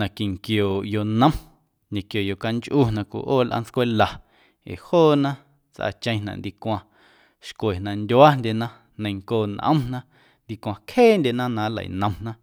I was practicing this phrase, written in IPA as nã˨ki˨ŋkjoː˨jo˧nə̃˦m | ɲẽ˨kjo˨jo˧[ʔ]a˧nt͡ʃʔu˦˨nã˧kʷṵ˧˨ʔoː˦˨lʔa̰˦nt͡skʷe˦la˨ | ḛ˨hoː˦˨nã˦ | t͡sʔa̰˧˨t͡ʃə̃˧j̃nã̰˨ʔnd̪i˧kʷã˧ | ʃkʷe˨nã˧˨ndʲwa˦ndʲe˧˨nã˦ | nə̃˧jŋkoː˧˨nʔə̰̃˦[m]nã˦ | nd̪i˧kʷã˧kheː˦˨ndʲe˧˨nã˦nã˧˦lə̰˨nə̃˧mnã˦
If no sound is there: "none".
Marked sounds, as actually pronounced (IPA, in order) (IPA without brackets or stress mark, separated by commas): k, m